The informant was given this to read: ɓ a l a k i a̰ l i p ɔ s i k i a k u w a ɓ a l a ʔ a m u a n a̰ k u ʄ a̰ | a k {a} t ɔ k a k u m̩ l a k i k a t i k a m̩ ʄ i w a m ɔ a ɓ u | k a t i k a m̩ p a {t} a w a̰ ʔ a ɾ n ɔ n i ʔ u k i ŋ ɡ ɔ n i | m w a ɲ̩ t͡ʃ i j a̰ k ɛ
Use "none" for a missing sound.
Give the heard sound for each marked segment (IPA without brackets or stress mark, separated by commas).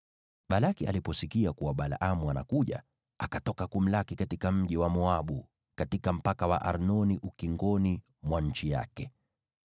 a, k